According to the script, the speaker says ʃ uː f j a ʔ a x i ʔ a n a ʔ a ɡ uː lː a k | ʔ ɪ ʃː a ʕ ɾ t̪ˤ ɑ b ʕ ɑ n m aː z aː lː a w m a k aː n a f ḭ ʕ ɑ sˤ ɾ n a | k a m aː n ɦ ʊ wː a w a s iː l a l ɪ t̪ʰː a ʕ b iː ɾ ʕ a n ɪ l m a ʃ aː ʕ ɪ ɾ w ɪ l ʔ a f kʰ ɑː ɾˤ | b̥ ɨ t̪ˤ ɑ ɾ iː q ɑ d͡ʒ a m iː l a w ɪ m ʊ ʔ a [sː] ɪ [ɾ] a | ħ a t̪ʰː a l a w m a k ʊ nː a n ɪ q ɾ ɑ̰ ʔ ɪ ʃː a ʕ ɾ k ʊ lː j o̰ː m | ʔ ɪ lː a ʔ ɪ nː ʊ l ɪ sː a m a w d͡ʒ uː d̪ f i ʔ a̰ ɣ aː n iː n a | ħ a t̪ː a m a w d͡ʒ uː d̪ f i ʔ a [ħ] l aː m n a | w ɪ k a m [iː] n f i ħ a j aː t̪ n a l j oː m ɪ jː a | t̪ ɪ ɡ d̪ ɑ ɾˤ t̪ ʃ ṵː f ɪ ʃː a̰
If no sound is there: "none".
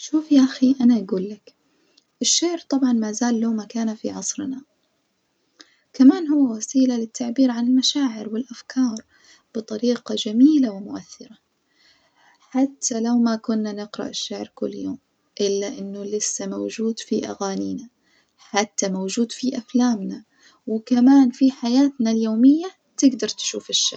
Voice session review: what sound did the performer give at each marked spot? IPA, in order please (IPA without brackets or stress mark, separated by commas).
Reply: θː, ɾ, f, aː